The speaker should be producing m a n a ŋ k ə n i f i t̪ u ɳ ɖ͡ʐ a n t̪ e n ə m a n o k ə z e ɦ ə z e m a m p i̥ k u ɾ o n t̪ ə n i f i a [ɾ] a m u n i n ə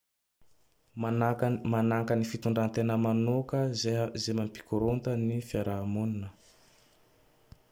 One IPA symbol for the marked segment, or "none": ɾ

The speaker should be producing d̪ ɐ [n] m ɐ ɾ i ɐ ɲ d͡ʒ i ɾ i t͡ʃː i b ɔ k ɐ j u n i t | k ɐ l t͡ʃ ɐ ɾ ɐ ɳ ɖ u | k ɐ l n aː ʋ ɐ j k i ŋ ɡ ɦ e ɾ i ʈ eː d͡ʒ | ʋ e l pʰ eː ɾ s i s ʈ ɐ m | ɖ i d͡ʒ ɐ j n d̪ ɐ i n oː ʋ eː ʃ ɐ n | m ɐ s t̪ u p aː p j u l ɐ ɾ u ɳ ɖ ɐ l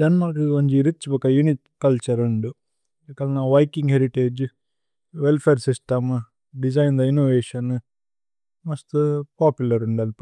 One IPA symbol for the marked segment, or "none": n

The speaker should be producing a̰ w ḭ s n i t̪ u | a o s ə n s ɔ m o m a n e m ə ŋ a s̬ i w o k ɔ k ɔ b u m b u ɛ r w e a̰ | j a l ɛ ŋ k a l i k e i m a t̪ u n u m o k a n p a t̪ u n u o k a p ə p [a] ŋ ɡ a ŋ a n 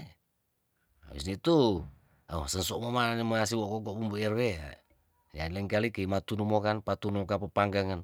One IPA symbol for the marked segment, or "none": a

